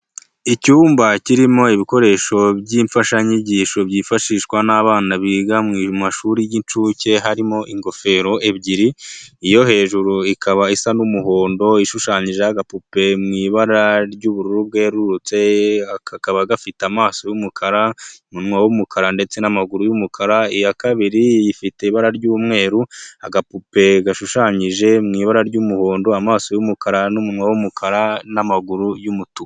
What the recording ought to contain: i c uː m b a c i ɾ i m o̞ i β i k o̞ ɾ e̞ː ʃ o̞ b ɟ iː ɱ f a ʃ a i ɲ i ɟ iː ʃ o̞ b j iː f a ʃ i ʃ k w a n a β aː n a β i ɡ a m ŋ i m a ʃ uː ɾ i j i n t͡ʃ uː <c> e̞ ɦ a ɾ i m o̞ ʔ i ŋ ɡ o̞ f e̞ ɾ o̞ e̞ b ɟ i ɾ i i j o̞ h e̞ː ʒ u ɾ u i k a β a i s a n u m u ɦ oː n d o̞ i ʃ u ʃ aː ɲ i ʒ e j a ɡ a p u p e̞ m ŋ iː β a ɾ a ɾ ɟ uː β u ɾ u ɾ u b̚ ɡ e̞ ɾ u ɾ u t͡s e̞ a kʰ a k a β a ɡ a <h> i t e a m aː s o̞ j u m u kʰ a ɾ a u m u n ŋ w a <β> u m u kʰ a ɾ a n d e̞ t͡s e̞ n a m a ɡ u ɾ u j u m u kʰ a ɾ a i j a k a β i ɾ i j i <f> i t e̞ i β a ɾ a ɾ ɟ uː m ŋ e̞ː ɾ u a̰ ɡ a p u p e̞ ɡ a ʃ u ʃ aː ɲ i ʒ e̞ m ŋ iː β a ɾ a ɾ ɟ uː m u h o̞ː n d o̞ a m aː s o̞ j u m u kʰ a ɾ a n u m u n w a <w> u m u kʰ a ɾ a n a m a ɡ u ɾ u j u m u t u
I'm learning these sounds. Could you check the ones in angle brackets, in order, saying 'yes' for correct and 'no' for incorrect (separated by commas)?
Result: yes, no, no, yes, yes